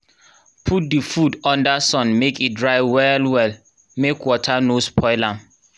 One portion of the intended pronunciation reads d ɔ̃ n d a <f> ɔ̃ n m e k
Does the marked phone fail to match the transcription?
yes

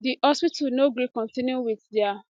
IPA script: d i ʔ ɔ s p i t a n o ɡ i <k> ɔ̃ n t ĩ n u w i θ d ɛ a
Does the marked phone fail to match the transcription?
no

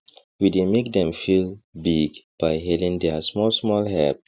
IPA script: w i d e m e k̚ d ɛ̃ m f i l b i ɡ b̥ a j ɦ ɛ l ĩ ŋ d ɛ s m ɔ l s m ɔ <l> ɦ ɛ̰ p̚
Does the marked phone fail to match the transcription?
no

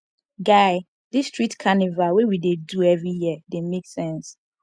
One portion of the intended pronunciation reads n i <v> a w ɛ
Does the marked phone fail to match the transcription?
no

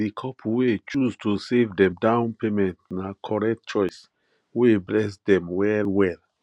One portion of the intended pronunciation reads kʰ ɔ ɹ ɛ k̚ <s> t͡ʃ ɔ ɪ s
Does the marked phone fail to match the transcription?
yes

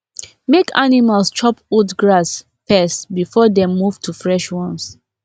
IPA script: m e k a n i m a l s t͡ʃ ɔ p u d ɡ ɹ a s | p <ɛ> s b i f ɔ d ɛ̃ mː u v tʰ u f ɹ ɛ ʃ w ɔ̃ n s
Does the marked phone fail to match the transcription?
no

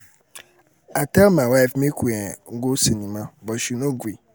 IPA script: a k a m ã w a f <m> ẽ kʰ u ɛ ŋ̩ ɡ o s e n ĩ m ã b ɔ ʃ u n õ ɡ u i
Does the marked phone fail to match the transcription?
no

